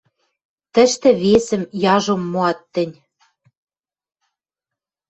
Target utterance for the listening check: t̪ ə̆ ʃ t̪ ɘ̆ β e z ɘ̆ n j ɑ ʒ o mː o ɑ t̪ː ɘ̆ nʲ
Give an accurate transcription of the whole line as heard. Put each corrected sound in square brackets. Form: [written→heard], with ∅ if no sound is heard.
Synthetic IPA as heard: t̪ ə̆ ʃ t̪ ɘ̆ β e [z→s] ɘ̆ [n→m] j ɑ ʒ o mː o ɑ t̪ː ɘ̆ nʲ

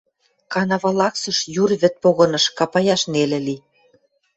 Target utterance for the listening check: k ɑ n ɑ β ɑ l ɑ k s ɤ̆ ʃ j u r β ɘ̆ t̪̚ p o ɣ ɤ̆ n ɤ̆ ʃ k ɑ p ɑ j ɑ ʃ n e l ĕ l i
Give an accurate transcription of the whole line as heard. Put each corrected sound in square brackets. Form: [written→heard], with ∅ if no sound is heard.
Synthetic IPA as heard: k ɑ n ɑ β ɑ l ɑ k s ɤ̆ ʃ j u r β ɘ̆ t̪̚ p o ɣ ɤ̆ n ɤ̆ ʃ k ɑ p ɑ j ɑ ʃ n e l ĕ l i

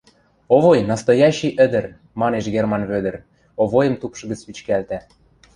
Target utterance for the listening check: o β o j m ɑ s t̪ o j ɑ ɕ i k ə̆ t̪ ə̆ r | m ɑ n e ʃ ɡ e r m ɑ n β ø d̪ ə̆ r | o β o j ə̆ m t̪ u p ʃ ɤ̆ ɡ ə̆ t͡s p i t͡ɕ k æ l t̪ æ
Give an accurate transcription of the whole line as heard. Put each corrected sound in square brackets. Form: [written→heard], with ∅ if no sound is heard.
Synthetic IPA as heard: o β o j [m→n] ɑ s t̪ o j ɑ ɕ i [k→ʔ] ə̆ [t̪→d̪] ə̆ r | m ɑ n e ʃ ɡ e r m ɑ n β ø d̪ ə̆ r | o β o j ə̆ m t̪ u p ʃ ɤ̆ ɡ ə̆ t͡s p i t͡ɕ k æ l t̪ æ

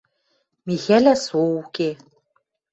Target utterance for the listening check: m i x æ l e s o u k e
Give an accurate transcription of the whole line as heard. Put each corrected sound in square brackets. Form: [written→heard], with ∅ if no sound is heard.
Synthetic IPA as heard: m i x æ l [e→æ] s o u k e

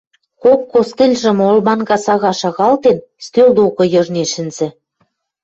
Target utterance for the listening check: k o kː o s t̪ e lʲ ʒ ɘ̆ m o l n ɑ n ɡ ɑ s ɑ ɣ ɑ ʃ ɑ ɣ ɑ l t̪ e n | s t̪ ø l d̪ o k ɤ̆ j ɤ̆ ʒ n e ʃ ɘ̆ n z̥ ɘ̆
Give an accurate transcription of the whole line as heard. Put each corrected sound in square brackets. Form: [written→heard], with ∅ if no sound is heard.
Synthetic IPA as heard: k o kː o s t̪ e lʲ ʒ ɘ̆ m o l [n→m] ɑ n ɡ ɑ s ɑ ɣ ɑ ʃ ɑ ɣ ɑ l t̪ e n | s t̪ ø l d̪ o k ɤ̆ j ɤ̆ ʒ n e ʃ ɘ̆ n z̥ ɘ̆

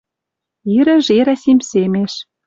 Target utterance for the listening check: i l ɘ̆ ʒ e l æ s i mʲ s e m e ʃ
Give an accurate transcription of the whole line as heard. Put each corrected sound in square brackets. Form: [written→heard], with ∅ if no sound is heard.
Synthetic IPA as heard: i [l→ɾ] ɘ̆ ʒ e [l→ɾ] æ s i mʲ s e m e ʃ

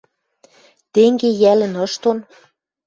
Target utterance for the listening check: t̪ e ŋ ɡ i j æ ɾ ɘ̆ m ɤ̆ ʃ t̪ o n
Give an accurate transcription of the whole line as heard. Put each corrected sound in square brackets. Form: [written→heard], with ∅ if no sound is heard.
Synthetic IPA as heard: t̪ e ŋ ɡ [i→e] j æ [ɾ→l] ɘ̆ [m→n] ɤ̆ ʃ t̪ o n

